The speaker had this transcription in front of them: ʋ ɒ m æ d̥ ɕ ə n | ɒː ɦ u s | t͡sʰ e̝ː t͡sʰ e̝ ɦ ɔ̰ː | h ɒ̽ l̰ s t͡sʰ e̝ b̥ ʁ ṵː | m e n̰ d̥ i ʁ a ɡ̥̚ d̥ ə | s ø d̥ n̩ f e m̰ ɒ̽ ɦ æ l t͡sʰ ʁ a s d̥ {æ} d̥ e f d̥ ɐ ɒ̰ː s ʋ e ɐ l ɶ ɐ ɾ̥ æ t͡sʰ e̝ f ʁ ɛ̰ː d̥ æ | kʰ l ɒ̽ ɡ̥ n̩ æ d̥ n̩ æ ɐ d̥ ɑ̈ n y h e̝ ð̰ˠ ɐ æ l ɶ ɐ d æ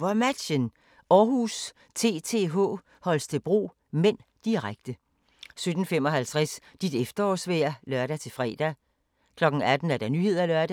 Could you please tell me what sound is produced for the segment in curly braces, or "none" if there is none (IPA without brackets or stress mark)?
i